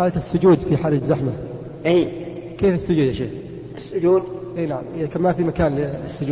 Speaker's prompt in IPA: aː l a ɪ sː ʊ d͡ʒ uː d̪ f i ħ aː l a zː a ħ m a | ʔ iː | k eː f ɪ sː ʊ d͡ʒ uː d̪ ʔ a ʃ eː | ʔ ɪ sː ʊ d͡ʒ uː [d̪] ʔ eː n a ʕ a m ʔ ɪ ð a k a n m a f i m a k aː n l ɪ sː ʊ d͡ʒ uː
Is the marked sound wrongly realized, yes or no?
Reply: no